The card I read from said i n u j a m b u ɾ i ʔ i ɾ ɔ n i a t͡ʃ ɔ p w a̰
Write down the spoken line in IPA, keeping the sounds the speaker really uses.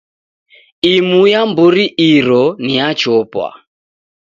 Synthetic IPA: i m u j a m b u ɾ i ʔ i ɾ ɔ n i a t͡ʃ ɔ p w a̰